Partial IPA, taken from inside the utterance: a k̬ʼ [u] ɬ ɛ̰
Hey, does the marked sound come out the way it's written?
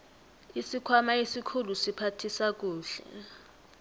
no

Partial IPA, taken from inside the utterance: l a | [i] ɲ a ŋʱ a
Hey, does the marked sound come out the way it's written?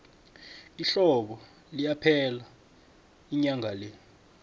yes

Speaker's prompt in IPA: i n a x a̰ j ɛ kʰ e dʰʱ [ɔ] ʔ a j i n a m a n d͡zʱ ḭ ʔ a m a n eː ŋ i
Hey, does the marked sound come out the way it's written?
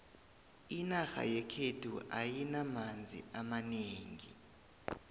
no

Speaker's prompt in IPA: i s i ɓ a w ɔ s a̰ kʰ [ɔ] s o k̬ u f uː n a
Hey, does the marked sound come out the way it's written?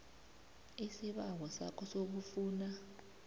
yes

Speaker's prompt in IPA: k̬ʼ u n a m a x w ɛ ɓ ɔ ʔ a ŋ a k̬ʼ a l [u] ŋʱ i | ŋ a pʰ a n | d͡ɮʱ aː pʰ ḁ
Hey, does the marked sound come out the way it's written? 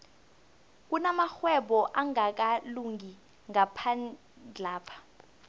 yes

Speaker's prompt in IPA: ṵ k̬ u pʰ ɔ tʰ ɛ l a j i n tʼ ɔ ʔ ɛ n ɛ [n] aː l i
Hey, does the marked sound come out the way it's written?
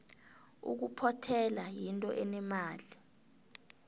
no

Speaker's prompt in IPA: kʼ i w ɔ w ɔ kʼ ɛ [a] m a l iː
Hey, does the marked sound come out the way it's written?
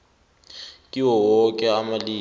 yes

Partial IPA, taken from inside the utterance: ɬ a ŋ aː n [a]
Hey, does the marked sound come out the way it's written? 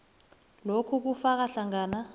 yes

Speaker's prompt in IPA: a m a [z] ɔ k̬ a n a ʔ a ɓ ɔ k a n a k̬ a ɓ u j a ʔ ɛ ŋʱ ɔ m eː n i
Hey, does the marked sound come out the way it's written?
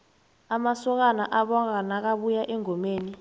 no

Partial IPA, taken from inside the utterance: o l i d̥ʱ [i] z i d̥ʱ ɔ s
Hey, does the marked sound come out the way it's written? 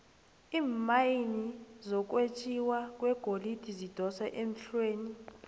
yes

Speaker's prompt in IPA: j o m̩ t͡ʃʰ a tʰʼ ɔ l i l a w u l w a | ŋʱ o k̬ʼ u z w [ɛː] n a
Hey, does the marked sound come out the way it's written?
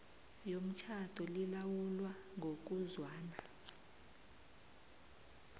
no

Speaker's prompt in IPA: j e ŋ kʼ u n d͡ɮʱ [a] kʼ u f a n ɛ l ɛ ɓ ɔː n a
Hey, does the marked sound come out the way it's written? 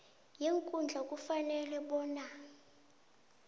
yes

